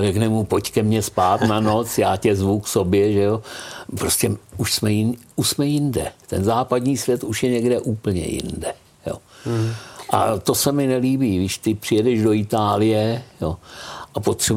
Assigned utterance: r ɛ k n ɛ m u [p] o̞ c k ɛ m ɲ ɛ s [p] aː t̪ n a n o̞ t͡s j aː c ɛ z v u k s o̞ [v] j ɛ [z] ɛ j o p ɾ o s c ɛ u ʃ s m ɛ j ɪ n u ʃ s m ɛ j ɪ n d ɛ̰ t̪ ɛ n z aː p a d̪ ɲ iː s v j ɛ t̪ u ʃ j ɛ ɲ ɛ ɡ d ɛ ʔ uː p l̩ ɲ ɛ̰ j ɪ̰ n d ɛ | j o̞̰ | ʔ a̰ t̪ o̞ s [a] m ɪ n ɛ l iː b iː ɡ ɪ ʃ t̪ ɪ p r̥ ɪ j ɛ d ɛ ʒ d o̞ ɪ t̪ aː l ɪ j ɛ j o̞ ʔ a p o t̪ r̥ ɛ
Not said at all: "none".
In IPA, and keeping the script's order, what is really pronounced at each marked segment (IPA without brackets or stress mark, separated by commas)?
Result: p, p, b, ʒ, ɛ